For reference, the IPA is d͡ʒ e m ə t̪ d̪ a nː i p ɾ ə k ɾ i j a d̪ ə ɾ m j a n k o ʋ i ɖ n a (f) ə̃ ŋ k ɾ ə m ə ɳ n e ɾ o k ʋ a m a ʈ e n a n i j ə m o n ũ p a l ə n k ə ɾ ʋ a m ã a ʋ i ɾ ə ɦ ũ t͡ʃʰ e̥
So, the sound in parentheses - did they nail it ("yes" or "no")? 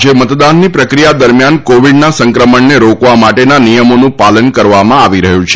no